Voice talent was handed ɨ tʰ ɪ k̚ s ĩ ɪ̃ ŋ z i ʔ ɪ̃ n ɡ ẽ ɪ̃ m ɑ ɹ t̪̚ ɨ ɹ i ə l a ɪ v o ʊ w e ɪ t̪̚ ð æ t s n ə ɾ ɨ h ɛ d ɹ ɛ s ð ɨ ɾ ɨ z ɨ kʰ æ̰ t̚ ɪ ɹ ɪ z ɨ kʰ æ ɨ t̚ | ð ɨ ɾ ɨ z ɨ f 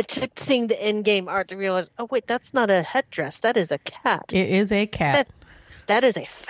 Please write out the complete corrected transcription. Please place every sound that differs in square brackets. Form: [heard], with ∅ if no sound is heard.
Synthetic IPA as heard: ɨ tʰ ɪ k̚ s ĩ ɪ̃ ŋ [ð] i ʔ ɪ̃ n ɡ ẽ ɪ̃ m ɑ ɹ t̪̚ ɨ ɹ i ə l a ɪ [z] o ʊ w e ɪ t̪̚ ð æ t s n ə ɾ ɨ h ɛ d ɹ ɛ s ð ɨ ɾ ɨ z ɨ kʰ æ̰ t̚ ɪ [ɾ] ɪ z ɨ kʰ æ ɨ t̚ | ð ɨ ɾ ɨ z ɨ f